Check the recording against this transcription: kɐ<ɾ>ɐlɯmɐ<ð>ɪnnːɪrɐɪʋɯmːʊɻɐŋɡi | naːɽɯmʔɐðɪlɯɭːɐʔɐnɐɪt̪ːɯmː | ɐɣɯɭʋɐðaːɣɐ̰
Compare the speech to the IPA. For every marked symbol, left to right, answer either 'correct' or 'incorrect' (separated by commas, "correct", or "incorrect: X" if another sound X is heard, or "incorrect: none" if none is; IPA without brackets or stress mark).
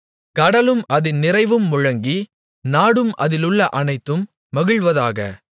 incorrect: ɽ, correct